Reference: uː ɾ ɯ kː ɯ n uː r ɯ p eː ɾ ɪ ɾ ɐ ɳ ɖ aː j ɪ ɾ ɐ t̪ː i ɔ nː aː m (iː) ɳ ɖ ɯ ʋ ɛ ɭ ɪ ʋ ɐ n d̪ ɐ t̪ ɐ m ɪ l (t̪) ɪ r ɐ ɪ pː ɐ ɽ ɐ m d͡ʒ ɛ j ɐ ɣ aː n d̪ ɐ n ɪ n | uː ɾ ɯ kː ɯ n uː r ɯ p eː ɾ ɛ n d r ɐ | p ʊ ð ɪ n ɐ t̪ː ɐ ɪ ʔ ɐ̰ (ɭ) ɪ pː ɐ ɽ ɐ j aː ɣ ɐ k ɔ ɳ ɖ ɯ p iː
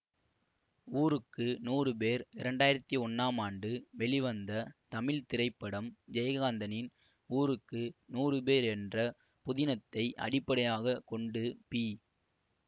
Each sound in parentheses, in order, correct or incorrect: incorrect: aː, correct, incorrect: ɽ

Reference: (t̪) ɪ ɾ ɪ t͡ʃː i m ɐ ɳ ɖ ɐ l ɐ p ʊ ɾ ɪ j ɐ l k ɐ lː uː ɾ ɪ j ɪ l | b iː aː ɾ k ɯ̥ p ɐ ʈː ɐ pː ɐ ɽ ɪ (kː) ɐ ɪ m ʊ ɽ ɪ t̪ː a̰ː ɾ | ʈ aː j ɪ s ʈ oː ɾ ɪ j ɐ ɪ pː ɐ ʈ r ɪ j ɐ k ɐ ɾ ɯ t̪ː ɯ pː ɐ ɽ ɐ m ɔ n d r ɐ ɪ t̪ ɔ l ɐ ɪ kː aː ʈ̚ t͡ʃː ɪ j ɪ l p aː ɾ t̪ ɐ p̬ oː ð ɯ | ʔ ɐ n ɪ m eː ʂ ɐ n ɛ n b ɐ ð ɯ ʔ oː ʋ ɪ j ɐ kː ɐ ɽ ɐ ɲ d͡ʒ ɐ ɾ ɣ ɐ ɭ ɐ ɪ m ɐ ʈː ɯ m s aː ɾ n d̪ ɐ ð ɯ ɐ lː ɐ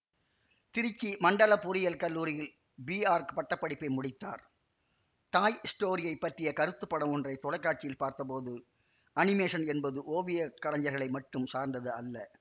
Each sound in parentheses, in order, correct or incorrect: correct, incorrect: pː

